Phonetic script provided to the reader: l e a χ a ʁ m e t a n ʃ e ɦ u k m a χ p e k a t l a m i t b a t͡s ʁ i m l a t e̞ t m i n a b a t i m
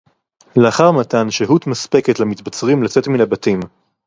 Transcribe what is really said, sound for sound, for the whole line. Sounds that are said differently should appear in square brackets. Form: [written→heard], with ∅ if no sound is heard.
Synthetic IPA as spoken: l e a χ a ʁ m [e→a] t a n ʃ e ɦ u [k→t] m a [χ→s] p e k [a→e] t l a m i t b a t͡s ʁ i m l a [t→t͡s] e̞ t m i n a b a t i m